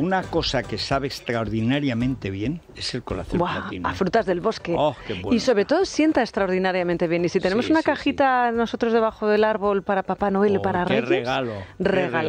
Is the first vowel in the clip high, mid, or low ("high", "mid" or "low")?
high